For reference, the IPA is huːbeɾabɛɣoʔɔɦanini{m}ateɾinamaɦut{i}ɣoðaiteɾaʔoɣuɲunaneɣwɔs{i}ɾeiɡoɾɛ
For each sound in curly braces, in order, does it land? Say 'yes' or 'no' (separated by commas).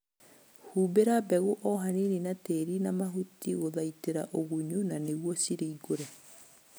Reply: no, yes, yes